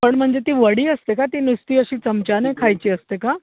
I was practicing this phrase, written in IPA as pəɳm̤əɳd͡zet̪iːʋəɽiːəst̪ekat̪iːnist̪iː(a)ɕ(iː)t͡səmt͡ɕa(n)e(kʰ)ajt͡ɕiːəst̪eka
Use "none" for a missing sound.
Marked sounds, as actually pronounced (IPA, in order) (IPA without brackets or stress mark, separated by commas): ə, iː, n, kʰ